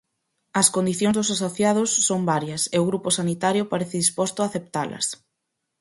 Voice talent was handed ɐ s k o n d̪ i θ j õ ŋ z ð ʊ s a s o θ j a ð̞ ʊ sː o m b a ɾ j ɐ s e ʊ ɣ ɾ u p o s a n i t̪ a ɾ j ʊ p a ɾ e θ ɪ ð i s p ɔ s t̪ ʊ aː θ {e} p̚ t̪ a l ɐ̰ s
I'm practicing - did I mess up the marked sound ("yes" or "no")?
no